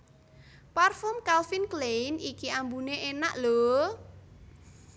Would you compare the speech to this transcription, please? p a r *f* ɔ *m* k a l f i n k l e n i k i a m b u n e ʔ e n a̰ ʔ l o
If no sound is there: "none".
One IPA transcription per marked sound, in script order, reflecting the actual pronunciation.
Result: f, m

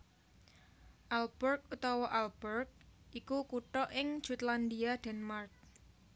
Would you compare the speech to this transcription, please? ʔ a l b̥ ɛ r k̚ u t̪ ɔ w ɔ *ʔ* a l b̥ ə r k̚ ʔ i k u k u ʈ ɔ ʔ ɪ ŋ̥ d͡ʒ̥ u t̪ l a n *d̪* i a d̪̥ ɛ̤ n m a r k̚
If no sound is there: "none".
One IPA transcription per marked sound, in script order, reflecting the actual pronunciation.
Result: ʔ, d̪

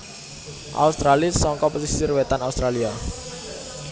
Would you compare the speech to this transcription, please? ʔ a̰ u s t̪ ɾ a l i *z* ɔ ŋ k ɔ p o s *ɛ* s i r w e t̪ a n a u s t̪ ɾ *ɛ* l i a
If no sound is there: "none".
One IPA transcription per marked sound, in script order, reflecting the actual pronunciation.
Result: s, i, a

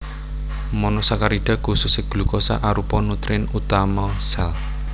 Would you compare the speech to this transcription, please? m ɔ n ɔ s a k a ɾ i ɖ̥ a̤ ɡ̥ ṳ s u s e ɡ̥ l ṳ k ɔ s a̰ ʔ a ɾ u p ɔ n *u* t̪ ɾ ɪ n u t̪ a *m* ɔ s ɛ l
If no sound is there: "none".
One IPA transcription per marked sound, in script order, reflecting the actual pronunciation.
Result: u, m

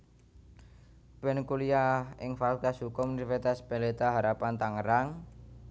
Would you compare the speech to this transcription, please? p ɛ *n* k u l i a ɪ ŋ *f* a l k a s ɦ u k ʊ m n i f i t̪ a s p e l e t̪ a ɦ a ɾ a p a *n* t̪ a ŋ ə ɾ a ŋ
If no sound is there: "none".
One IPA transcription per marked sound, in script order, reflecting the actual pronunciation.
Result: n, f, n

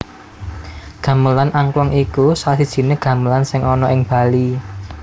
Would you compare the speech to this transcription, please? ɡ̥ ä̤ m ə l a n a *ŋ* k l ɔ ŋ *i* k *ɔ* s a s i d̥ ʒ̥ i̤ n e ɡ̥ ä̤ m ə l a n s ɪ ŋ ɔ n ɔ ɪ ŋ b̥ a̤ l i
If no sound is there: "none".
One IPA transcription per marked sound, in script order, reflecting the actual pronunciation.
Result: ŋ, i, u

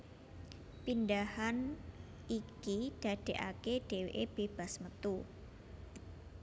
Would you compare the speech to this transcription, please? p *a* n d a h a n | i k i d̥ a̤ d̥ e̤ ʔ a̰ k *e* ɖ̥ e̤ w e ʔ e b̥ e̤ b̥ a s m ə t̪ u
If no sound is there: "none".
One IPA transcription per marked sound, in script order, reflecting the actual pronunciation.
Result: i, e

